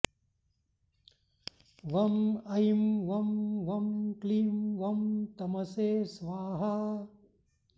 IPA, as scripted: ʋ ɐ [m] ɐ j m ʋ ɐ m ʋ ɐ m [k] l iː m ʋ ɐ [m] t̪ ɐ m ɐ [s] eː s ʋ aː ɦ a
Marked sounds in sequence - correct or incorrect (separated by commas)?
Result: correct, correct, correct, correct